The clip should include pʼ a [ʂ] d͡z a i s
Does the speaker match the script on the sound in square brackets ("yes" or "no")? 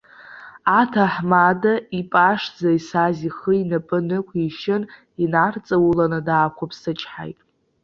yes